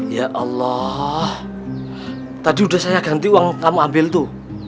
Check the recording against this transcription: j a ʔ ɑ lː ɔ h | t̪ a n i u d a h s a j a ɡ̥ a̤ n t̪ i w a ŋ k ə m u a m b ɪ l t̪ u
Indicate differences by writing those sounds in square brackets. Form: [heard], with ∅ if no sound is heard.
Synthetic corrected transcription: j a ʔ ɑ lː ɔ h | t̪ a [d] i u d a h s a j a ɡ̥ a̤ n t̪ i w a ŋ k [a] m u a m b ɪ l t̪ u